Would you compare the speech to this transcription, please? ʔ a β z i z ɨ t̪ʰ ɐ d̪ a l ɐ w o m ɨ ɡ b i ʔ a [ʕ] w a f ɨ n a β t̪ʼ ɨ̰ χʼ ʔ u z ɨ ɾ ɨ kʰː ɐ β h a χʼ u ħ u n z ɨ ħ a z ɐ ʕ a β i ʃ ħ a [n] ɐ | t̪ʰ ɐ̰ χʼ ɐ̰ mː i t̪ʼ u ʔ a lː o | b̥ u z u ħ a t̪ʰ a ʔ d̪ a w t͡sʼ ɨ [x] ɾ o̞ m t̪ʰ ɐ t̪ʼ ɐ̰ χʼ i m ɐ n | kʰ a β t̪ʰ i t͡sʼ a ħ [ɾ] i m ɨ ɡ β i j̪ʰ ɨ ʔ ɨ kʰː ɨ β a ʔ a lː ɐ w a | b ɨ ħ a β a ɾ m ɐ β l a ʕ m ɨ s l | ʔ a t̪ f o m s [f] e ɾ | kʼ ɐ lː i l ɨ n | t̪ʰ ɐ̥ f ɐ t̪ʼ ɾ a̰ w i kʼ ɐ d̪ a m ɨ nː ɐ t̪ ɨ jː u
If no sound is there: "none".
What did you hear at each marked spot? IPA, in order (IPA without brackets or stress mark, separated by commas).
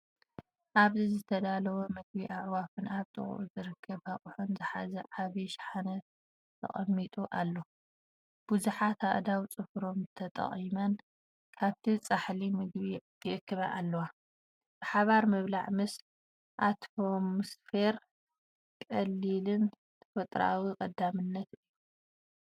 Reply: ʕ, n, f, l, f